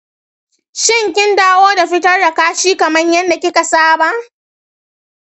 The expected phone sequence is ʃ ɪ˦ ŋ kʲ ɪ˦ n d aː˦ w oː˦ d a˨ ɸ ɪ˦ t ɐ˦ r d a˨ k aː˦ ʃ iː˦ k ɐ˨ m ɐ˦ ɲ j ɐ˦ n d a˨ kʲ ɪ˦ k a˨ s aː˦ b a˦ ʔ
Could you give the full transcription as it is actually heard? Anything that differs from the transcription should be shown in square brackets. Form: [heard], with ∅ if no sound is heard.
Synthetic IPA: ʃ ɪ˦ ŋ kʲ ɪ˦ n d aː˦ w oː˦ d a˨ ɸ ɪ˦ t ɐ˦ r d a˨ k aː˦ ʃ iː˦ k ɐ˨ m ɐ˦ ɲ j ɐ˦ n d a˨ kʲ ɪ˦ k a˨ s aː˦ b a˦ ʔ